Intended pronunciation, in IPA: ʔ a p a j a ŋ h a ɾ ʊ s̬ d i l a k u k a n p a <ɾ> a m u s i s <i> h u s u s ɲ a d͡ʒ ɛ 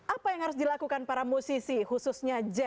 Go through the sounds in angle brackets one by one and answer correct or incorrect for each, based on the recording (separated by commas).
correct, correct